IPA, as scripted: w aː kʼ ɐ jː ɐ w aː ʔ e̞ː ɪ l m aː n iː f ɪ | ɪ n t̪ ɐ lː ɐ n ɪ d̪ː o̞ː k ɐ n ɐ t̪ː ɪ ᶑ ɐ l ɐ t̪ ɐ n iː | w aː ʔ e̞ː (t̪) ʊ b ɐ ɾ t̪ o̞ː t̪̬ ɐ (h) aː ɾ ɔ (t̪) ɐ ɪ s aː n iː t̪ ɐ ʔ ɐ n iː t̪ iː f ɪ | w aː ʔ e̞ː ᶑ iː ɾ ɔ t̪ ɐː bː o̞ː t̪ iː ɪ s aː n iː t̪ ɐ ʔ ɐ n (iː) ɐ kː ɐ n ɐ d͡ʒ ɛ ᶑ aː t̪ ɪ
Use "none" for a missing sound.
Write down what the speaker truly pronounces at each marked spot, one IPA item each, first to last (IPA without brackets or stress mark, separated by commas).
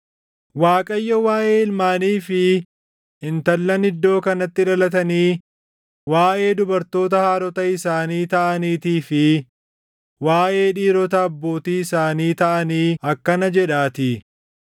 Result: d̪, h, t̪, iː